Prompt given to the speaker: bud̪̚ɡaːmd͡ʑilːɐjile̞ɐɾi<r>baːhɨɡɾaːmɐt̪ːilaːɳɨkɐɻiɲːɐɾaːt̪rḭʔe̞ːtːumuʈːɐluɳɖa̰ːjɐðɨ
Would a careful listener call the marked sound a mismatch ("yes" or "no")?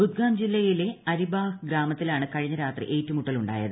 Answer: yes